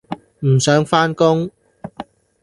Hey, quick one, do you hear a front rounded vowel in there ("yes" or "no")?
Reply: yes